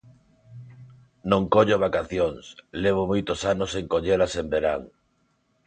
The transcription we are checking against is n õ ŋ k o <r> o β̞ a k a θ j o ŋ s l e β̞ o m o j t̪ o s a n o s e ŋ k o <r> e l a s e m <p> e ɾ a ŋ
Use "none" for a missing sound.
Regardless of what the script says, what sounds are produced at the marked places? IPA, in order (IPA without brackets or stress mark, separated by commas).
ʎ, ʎ, b